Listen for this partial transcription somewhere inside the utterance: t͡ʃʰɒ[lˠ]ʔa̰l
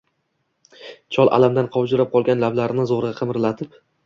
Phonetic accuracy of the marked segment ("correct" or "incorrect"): correct